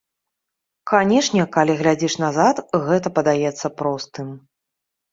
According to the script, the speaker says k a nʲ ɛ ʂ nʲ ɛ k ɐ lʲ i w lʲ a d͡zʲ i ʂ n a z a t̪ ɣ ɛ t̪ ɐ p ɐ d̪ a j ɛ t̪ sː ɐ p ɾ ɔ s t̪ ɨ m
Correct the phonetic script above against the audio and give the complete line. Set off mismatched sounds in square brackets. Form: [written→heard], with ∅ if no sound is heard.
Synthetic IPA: k a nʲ ɛ ʂ nʲ ɛ k [ɐ→a] lʲ i [w→ɣ] lʲ a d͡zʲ i ʂ n a z a t̪ ɣ ɛ t̪ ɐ p ɐ d̪ a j ɛ t̪ sː ɐ p ɾ ɔ s t̪ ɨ m